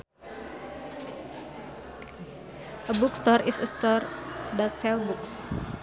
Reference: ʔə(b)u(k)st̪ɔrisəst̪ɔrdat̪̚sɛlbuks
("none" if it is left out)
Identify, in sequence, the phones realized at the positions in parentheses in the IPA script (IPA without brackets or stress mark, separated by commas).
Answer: b, k